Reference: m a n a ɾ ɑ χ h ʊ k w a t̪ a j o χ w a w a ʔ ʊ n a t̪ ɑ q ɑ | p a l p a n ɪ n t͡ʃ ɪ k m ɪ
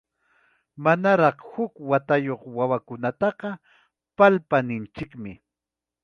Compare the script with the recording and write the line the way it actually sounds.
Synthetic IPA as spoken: m a n a ɾ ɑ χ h ʊ k w a t̪ a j o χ w a w a k ʊ n a t̪ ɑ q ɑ | p a l p a n ɪ n t͡ʃ ɪ k m ɪ